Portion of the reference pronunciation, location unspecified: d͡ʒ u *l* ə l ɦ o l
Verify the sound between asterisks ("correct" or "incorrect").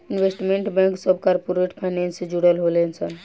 incorrect